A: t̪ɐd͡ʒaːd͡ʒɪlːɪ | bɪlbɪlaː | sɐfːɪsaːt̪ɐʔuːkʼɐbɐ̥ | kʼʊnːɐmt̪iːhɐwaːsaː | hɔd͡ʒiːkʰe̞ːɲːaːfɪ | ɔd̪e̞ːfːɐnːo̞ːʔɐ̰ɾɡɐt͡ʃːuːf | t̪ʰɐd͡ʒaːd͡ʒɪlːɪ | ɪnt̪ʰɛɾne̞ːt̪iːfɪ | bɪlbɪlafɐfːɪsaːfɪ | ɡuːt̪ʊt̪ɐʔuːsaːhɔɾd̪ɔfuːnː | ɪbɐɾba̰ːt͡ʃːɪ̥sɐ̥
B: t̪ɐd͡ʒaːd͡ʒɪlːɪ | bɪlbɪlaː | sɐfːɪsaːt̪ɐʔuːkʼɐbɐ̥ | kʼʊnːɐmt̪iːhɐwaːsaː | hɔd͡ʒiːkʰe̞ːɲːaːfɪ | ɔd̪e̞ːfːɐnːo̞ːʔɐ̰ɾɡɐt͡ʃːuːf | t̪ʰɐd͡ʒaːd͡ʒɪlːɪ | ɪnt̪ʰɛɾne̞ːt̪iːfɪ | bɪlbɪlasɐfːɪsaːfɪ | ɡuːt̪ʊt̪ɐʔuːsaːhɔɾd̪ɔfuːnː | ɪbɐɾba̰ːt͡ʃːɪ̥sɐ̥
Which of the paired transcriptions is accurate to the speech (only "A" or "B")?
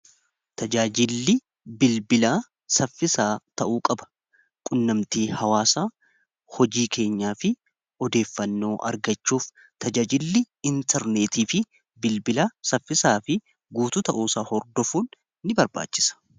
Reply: B